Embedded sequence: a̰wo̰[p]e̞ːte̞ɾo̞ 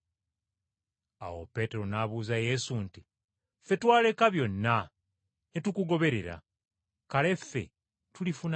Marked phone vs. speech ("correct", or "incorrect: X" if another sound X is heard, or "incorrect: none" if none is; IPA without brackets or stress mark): correct